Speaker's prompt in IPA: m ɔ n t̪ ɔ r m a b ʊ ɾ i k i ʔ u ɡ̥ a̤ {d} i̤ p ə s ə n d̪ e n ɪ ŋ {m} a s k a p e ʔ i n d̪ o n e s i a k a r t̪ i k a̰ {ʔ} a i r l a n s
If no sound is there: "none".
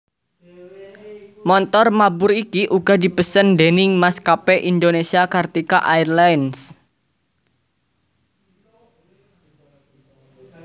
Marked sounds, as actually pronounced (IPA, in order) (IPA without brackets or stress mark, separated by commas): d, m, ʔ